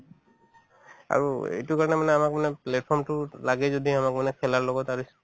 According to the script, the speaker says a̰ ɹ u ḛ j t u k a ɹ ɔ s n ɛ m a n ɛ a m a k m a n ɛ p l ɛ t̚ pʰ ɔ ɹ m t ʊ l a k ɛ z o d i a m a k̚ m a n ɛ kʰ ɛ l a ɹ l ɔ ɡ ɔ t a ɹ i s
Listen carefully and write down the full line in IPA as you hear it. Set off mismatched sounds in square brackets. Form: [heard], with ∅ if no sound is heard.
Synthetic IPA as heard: a̰ ɹ u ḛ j t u k a ɹ ɔ [∅] n ɛ m a n ɛ a m a k m a n ɛ p l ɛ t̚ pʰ ɔ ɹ m t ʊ l a [ɡ] ɛ z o d i a m a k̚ m a n ɛ kʰ ɛ l a ɹ l ɔ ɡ ɔ t a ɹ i s